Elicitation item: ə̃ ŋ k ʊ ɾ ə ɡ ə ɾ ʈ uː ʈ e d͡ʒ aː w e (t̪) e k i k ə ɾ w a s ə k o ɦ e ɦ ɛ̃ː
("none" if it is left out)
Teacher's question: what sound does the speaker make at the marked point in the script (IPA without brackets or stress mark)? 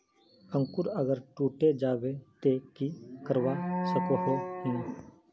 t̪